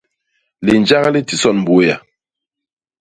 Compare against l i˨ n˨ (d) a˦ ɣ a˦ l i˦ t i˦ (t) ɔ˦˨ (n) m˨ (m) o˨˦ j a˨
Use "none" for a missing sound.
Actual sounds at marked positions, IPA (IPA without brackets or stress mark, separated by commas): d͡ʒ, s, n, b